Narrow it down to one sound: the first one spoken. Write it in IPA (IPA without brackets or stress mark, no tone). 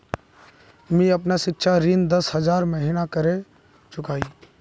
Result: m